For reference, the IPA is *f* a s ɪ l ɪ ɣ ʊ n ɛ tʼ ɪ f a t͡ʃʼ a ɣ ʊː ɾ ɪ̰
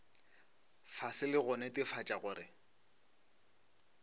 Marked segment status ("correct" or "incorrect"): correct